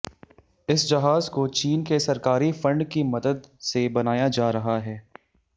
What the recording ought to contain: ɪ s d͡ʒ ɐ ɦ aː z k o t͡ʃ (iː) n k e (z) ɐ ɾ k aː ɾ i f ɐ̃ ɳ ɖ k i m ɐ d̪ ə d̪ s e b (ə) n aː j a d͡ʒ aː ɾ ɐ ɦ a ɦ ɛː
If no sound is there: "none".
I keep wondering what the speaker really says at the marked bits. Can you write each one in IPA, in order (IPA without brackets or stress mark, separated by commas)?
iː, s, ɐ